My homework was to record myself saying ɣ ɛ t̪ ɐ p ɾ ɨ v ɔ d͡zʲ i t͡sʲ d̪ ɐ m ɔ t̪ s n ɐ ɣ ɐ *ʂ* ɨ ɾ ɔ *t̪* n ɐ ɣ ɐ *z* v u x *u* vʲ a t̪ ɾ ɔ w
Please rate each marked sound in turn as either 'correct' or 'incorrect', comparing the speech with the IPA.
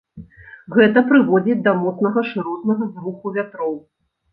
correct, correct, correct, correct

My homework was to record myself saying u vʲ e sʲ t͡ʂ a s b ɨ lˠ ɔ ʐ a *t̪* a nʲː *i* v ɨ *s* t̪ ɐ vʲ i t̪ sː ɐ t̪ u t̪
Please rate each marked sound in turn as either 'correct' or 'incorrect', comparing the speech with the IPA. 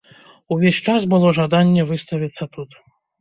incorrect: d̪, incorrect: ɛ, correct

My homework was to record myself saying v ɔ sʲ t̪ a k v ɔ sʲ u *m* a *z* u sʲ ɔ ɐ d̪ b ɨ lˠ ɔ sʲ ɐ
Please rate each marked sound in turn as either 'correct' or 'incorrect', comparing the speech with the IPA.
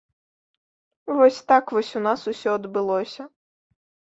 incorrect: n, incorrect: s

